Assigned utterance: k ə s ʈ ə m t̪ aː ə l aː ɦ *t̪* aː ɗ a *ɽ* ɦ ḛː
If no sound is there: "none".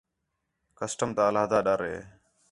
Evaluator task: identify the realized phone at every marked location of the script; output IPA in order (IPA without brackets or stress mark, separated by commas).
d̪, ɾ